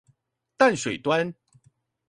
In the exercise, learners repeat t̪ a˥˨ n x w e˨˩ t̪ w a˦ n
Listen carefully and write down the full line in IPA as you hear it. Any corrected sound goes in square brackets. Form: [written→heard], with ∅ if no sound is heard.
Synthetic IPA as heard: t̪ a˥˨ n [x→ʂ] w e˨˩ t̪ w a˦ n